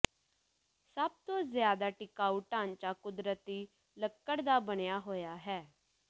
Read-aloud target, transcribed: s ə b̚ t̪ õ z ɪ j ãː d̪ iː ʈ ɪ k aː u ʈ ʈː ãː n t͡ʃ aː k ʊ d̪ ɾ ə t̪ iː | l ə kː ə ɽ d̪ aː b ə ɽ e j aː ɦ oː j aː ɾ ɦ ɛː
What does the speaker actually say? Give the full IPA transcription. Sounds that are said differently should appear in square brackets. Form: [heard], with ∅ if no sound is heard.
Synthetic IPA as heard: s ə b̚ t̪ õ z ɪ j [aː] d̪ [aː] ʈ ɪ k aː u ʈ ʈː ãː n t͡ʃ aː k ʊ d̪ ɾ ə t̪ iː | l ə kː ə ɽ d̪ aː b ə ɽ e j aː ɦ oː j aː [∅] ɦ ɛː